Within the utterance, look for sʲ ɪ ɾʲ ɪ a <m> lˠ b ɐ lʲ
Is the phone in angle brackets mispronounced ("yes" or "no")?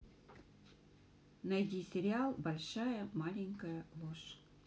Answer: yes